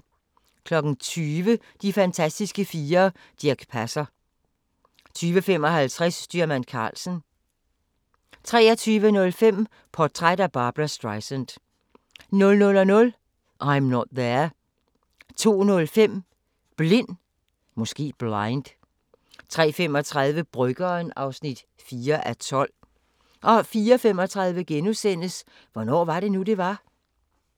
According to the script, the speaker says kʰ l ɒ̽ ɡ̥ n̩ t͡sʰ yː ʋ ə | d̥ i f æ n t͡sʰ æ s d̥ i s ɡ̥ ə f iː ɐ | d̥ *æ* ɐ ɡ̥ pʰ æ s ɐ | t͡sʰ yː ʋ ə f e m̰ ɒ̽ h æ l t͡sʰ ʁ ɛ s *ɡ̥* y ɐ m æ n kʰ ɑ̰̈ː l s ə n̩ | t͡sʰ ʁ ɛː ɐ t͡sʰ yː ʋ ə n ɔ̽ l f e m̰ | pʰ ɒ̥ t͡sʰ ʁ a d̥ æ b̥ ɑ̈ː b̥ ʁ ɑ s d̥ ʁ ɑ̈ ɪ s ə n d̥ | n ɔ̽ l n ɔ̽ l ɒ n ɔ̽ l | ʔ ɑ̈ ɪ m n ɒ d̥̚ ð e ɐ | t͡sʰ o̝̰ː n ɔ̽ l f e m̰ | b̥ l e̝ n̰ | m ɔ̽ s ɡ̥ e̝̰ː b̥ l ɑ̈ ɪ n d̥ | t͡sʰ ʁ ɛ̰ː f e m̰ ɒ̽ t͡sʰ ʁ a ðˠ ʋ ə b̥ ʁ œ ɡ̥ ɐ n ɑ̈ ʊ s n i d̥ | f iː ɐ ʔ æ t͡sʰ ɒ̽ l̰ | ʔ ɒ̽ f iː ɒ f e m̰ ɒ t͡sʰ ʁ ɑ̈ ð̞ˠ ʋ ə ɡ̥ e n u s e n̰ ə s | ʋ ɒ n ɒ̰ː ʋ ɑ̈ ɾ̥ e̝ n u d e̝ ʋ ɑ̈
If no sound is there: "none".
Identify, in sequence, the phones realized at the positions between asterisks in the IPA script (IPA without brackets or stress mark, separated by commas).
i, d̥